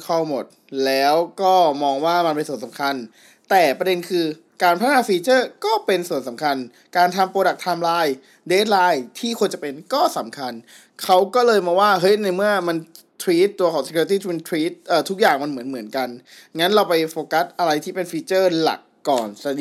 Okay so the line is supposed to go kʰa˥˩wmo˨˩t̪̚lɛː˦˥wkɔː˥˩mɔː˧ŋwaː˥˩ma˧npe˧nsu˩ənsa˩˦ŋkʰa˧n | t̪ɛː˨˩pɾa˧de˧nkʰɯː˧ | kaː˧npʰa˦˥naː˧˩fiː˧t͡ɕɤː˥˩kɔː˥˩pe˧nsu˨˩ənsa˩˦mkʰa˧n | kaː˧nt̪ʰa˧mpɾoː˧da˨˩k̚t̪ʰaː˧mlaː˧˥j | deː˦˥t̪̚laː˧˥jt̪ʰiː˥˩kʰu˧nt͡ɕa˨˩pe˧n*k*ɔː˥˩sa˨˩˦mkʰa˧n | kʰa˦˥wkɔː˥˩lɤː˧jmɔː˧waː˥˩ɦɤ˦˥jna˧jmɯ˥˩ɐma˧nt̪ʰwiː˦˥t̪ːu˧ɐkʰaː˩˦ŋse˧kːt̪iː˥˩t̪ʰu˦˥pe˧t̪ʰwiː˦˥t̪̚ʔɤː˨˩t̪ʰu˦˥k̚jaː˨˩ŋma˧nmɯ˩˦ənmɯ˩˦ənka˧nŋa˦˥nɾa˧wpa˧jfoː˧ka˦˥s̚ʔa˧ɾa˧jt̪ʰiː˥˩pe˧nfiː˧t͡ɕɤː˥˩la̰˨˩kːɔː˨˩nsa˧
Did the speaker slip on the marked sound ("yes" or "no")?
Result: no